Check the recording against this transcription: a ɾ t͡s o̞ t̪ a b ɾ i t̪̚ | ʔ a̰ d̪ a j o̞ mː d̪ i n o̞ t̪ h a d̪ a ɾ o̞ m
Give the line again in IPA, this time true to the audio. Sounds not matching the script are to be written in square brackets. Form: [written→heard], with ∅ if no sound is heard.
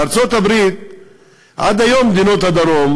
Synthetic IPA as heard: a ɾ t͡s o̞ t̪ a b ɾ i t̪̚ | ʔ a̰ d̪ a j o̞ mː d̪ i n o̞ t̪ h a d̪ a ɾ o̞ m